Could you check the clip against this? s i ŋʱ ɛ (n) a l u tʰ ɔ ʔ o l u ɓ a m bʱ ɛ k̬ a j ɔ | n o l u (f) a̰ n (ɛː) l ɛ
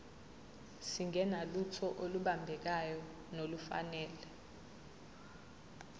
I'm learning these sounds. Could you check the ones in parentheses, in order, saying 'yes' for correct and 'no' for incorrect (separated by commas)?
yes, yes, yes